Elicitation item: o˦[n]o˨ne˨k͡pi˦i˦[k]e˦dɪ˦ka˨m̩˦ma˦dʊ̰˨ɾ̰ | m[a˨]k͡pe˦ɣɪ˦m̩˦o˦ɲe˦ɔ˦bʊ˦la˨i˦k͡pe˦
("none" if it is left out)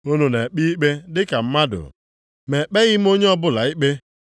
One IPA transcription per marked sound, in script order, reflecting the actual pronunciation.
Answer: n, k͡p, e˨

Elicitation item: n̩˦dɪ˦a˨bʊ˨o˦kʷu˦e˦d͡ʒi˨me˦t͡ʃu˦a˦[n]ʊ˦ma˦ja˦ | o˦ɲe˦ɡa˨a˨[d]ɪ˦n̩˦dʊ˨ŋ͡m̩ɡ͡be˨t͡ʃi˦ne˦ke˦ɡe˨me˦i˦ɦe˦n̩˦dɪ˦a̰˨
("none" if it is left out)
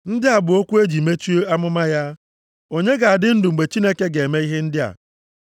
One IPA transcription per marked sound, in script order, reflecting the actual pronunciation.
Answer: m, d

